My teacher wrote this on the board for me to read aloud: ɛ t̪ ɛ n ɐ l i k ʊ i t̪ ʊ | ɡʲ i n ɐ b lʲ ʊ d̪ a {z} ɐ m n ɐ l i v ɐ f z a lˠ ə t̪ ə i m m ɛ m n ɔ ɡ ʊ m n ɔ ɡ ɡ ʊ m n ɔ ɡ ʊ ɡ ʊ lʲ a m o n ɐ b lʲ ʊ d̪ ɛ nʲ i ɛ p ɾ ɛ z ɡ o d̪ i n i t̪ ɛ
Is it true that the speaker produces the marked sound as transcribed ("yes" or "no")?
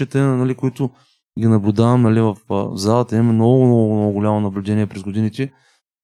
no